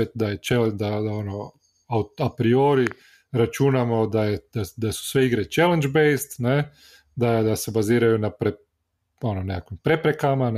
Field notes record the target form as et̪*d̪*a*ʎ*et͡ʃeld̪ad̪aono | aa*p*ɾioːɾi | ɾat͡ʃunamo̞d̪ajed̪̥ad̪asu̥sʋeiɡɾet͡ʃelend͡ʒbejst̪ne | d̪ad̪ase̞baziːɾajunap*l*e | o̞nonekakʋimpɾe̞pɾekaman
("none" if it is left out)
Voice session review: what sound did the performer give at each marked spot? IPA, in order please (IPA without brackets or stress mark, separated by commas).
d̪, j, p, ɾ